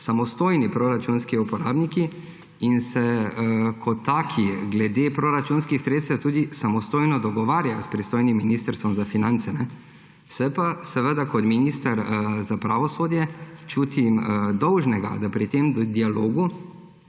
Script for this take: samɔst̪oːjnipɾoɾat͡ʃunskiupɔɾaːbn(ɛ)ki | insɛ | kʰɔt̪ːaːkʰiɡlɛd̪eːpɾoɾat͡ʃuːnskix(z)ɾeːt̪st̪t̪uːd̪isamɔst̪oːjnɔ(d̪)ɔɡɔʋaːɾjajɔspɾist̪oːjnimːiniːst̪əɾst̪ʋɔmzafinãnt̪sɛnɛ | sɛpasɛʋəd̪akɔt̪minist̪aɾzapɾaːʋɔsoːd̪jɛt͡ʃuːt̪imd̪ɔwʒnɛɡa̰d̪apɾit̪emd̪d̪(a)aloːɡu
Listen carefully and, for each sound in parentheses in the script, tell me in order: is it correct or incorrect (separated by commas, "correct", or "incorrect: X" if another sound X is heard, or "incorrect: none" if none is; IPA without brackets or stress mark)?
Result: incorrect: i, incorrect: s, correct, incorrect: i